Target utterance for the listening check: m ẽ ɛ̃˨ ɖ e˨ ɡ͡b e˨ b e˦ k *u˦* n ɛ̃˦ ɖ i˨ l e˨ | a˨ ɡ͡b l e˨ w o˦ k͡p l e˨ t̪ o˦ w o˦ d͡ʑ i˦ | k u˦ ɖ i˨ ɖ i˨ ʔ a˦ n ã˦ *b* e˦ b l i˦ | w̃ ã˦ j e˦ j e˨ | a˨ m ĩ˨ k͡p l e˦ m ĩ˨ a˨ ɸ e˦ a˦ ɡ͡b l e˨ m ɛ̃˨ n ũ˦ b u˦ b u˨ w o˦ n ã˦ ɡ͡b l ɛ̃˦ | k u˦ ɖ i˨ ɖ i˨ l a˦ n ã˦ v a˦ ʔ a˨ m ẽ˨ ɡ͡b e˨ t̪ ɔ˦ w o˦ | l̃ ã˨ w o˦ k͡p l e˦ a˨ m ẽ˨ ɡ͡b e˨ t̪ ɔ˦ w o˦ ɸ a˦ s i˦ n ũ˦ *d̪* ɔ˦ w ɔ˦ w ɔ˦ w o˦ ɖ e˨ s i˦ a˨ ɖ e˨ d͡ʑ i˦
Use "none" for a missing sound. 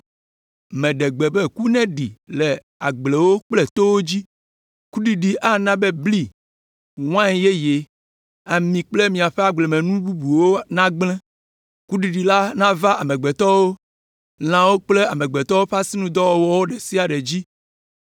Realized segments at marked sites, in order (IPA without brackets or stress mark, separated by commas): u˦, b, d̪